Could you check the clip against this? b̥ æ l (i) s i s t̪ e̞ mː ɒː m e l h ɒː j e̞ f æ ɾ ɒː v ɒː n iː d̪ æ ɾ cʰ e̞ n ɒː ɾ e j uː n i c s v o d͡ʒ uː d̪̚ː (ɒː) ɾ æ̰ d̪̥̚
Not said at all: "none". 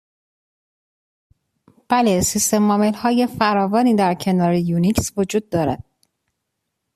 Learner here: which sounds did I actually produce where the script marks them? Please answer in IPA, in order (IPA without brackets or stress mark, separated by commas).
e, ɒː